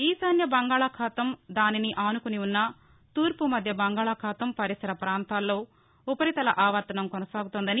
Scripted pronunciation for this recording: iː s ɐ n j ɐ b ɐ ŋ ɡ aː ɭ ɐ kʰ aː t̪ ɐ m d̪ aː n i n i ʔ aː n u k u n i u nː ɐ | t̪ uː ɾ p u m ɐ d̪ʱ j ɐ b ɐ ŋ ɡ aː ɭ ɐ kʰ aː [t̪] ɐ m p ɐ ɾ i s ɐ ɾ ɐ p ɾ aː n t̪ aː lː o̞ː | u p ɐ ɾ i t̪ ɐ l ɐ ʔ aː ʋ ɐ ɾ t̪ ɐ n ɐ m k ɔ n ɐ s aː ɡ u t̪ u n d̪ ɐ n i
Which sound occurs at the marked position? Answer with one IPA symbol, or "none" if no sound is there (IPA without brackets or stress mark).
t̪